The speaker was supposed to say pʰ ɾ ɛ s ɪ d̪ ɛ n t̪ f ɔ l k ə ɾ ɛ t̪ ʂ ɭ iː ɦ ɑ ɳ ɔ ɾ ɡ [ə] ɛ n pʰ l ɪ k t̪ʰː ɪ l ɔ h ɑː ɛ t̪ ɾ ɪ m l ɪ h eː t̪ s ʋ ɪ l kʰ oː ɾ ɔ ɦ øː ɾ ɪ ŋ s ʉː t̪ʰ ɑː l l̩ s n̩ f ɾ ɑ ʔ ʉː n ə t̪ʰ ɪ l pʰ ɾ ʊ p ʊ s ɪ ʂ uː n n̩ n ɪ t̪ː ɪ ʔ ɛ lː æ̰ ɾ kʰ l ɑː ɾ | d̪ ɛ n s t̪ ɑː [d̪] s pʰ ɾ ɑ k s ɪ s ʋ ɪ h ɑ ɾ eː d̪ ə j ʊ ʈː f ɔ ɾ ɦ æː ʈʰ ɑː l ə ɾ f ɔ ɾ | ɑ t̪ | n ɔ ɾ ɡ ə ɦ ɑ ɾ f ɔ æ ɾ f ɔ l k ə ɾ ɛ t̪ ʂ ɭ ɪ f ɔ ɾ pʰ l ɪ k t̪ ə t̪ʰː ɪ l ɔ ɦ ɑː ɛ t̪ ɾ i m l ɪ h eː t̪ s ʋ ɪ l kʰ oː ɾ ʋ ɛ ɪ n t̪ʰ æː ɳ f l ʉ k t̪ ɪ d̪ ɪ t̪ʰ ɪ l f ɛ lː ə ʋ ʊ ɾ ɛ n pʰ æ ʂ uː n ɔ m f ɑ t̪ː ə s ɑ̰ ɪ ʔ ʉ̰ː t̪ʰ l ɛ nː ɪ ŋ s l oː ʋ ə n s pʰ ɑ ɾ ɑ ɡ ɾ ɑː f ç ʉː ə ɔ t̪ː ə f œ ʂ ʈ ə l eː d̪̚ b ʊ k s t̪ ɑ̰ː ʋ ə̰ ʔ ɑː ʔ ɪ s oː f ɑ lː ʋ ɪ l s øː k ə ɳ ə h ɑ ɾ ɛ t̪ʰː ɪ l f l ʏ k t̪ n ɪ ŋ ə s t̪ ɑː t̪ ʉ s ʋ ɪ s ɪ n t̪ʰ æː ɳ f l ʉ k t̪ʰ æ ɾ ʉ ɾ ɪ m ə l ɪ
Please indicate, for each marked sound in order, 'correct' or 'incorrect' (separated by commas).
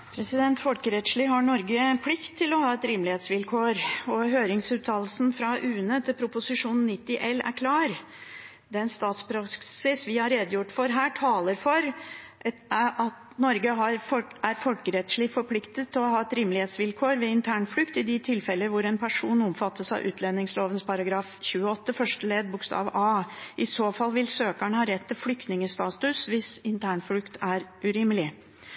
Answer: correct, incorrect